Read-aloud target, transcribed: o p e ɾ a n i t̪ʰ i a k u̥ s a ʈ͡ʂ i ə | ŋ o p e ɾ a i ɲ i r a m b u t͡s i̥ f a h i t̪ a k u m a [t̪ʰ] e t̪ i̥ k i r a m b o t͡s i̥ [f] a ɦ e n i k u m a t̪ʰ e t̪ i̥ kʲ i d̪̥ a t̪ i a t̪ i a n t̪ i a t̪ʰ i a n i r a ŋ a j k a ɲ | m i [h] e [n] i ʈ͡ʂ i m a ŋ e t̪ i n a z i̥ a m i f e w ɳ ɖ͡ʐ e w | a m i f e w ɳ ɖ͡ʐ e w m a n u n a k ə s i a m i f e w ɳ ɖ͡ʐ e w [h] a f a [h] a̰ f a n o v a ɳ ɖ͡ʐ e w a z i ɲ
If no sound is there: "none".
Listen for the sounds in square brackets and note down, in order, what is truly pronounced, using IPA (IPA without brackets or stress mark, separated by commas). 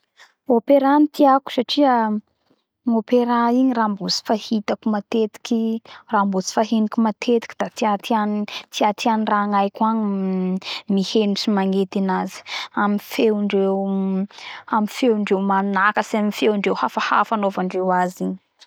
t̪, f, h, n, h, h